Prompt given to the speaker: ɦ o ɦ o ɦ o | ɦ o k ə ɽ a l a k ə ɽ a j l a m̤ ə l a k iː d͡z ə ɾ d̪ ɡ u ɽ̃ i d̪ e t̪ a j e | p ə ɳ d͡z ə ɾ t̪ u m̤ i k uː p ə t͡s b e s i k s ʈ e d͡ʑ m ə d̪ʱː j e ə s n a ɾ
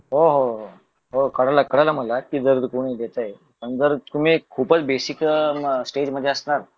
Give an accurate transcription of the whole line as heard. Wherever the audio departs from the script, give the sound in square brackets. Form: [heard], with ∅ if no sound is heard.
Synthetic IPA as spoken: ɦ o ɦ o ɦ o | ɦ o k ə ɽ a l a k ə ɽ a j l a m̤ ə l a k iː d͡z ə ɾ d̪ [k] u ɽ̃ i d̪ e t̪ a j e | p ə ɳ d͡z ə ɾ t̪ u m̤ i [kʰ] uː p ə t͡s b e s i k s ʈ e d͡ʑ m ə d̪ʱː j e ə s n a ɾ